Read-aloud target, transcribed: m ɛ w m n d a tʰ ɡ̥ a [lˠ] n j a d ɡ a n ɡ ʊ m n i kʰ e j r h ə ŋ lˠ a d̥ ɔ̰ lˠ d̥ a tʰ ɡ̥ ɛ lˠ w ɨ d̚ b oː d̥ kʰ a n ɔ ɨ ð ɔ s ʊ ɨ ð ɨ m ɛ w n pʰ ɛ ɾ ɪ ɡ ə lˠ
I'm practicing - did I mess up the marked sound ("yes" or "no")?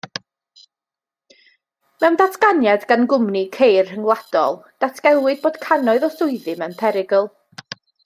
yes